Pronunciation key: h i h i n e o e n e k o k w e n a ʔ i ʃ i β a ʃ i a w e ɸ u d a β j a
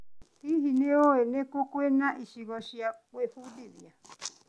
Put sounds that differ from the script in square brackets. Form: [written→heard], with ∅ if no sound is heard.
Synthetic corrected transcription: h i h i n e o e n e k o k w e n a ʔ i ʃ i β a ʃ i a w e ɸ u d [a→i] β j a